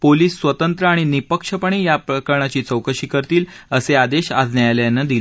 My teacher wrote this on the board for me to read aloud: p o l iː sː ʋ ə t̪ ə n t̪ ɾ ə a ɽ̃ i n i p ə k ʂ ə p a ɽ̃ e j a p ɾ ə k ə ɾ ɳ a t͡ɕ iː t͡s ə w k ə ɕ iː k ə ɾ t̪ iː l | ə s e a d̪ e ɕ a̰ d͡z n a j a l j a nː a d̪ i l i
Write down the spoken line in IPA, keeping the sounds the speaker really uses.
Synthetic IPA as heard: p o l iː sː ʋ ə t̪ ə n t̪ ɾ ə a ɽ̃ i n i p ə k ʂ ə p ə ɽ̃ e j a p ɾ ə k ə ɾ ɳ a t͡ɕ iː t͡s ə w k ə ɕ iː k ə ɾ t̪ iː l | ə s e a d̪ e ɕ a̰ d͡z n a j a l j a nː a d̪ i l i